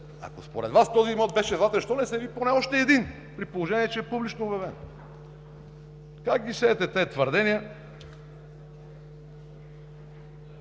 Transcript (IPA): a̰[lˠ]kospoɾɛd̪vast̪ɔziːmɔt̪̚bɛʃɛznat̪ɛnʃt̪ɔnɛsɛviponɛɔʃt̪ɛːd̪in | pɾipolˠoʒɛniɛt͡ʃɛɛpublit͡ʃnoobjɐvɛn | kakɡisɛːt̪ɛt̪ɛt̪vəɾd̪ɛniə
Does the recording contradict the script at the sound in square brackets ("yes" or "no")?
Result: yes